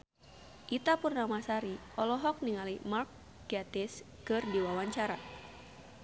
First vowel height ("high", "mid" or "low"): high